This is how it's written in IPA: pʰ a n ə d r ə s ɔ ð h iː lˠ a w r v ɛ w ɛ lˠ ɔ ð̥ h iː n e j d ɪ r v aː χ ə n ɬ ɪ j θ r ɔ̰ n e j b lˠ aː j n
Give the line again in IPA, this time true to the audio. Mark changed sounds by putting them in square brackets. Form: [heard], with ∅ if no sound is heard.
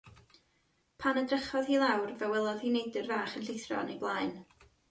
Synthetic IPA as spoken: pʰ a n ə d r ə [χ] ɔ ð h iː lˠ a w r v ɛ w ɛ lˠ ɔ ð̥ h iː n e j d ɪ r v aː χ ə n ɬ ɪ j θ r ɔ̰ n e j b lˠ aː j n